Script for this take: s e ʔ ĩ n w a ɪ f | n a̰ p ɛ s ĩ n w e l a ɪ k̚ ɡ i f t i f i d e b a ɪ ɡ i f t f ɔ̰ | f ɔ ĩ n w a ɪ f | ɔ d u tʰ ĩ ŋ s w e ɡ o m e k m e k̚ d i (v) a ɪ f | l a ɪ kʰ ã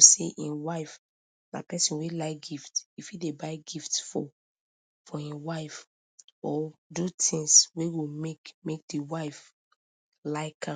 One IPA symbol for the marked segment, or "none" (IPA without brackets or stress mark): w